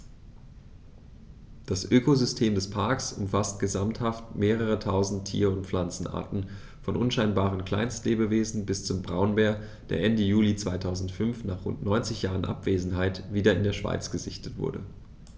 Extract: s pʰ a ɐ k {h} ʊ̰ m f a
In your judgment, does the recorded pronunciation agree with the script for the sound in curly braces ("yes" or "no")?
no